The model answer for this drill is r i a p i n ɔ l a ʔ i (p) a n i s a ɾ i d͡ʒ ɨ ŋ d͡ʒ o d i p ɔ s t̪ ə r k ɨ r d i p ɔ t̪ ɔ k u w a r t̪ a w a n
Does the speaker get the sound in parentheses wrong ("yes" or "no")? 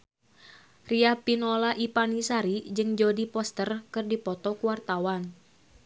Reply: no